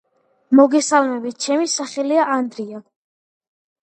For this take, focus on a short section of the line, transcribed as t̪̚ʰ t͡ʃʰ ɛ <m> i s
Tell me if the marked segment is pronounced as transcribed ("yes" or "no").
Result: yes